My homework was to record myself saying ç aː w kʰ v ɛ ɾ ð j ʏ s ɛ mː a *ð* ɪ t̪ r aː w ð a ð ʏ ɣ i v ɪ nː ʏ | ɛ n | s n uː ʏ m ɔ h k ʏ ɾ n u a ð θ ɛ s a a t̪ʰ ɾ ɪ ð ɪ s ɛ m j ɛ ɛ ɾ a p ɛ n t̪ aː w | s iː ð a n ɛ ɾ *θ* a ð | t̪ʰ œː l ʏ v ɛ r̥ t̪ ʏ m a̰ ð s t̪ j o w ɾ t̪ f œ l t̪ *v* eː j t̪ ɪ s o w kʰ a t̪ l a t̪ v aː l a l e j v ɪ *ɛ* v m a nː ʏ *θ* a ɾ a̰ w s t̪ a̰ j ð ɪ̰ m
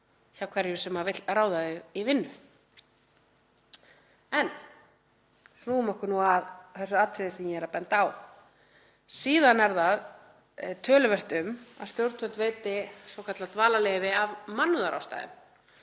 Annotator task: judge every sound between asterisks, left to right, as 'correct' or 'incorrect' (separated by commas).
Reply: incorrect, incorrect, correct, incorrect, incorrect